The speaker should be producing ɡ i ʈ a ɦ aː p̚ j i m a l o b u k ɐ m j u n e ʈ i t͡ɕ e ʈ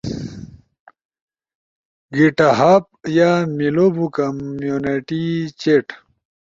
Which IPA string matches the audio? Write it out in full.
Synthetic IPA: ɡ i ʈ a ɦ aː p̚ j a m i l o b u k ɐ m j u n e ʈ i t͡ɕ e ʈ